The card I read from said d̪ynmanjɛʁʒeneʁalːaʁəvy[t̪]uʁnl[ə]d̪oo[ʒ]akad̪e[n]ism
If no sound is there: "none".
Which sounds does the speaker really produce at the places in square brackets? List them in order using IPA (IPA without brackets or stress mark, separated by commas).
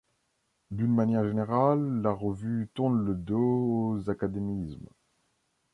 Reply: t̪, ə, z, m